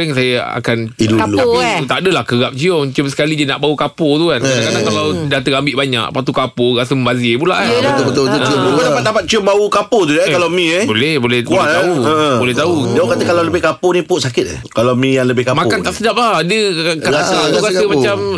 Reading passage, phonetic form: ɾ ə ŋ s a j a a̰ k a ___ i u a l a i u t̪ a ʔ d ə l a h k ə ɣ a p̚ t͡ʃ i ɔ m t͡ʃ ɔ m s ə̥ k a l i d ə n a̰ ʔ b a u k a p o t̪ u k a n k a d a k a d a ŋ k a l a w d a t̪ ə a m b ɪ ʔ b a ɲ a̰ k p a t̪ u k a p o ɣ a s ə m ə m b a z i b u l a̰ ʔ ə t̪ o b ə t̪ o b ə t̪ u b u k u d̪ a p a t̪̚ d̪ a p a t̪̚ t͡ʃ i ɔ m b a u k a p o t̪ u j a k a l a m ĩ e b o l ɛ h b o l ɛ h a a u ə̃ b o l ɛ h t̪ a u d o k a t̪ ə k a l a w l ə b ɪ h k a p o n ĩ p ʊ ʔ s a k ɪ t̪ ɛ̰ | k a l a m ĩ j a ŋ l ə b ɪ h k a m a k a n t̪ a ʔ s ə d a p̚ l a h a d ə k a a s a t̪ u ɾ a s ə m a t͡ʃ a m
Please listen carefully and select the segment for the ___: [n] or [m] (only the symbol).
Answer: n